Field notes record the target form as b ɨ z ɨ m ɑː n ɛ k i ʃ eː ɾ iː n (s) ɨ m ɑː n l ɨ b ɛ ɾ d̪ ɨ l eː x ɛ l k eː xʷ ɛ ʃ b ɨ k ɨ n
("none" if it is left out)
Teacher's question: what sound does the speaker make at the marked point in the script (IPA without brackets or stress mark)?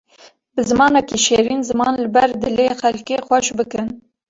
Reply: z